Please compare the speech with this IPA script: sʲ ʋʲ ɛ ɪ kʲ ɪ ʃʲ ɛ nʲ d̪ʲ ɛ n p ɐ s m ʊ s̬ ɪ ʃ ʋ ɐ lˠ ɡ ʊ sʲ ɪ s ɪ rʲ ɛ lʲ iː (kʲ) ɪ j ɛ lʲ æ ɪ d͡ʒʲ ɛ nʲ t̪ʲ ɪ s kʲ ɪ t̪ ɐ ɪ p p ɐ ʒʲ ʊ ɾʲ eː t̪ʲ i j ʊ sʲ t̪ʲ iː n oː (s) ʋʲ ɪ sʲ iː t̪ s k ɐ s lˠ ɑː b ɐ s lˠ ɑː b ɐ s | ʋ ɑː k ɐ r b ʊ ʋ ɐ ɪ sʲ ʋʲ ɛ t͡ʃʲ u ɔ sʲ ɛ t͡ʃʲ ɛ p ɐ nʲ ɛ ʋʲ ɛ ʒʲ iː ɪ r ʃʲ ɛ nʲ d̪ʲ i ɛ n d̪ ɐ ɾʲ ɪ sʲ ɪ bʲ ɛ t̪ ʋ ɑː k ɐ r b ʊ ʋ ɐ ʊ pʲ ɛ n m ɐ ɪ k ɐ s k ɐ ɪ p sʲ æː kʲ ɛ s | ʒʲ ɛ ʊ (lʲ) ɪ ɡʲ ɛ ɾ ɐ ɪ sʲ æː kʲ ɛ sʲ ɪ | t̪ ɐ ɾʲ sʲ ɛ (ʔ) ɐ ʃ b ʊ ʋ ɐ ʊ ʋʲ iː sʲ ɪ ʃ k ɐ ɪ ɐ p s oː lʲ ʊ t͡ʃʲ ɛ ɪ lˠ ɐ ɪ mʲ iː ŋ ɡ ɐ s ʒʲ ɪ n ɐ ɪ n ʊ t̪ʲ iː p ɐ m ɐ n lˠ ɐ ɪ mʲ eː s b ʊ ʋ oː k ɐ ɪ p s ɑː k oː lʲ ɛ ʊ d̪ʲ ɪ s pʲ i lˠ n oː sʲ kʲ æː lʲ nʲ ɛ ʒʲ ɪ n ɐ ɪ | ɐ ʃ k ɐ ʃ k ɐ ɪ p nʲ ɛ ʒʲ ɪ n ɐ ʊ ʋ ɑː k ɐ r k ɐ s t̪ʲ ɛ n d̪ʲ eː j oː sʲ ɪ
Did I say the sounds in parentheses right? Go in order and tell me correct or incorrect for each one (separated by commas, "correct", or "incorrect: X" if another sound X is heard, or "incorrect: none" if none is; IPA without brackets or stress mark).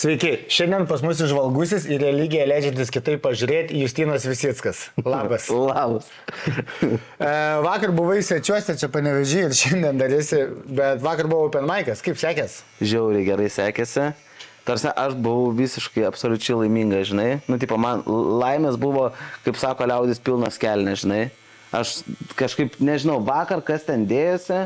incorrect: ɡʲ, correct, incorrect: ɾʲ, correct